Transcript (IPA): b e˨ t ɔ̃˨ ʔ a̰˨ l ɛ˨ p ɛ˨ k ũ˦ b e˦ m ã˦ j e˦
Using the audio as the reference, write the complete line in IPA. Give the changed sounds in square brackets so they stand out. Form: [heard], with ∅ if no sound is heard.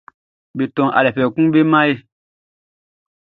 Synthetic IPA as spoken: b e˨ t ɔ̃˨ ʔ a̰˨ l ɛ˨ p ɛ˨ k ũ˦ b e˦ m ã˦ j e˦